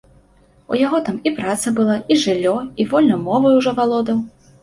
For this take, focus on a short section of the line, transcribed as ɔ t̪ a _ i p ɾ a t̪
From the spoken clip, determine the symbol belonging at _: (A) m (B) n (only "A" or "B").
A